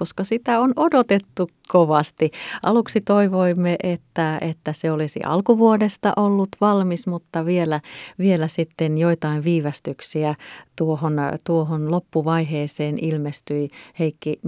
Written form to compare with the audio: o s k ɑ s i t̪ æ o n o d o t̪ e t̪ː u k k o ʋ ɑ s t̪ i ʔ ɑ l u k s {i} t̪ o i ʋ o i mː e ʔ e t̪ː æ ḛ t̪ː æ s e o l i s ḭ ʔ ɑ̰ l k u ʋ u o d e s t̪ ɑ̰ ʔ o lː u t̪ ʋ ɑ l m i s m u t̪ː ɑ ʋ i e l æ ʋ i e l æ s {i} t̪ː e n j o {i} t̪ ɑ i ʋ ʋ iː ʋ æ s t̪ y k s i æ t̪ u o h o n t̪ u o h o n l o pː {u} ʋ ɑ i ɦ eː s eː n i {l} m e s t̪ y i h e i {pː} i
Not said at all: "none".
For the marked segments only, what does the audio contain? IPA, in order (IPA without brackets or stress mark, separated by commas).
i, i, i, u, l, kː